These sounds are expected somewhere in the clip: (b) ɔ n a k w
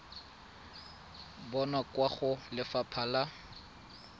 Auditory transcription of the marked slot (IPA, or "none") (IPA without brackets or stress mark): b